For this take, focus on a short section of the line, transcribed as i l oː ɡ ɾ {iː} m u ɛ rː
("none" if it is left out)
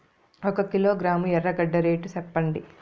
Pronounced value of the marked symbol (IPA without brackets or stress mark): aː